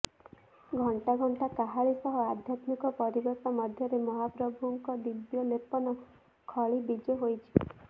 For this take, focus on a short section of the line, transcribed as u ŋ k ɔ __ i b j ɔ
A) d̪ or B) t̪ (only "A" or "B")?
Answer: A